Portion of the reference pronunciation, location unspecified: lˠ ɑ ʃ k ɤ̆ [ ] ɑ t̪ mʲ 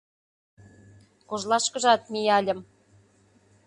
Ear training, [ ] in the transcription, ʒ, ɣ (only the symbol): ʒ